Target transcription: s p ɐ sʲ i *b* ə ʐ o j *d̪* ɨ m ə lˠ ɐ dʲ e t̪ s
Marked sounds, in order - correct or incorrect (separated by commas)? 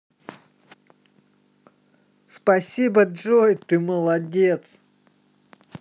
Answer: correct, incorrect